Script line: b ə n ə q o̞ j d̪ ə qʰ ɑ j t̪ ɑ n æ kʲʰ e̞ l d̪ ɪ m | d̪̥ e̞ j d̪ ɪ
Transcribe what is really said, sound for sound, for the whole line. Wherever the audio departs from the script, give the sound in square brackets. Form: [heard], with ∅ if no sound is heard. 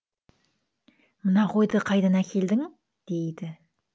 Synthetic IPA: [m] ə n [ɑ] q o̞ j d̪ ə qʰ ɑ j [d̪] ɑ n æ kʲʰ e̞ l d̪ ɪ [ŋ] | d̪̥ e̞ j d̪ ɪ